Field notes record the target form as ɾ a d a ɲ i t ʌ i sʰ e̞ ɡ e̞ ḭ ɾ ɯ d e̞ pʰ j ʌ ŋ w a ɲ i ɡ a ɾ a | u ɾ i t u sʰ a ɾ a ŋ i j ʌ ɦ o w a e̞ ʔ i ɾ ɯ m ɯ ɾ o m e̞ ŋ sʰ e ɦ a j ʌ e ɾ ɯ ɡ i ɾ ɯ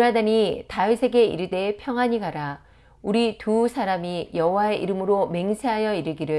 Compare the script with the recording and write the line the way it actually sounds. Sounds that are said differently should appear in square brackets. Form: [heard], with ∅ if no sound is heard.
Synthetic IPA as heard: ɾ a d a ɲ i t [a] i sʰ e̞ ɡ e̞ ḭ ɾ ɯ d e̞ pʰ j ʌ ŋ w a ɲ i ɡ a ɾ a | u ɾ i t u sʰ a ɾ a [m] i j ʌ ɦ o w a e̞ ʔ i ɾ ɯ m ɯ ɾ o m e̞ ŋ sʰ e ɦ a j ʌ [i] ɾ ɯ ɡ i ɾ ɯ